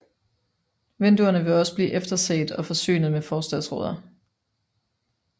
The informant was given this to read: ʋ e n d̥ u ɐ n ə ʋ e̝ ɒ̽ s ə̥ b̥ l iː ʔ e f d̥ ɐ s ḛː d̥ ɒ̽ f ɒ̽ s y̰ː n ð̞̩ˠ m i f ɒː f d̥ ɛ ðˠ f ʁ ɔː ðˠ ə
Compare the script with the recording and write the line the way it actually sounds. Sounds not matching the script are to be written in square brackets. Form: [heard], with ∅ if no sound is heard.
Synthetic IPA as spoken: ʋ e n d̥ u ɐ n ə ʋ e̝ ɒ̽ s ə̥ b̥ l iː ʔ e f d̥ ɐ s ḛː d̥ ɒ̽ f ɒ̽ s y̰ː n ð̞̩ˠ m [e] f ɒː [s] d̥ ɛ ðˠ [s] ʁ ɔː ðˠ [ɐ]